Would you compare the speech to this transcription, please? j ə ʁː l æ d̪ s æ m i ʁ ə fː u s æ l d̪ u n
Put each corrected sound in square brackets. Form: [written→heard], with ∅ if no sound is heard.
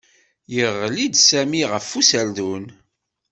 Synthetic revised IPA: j ə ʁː l [æ→i] d̪ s æ m i ʁ ə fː u s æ l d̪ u n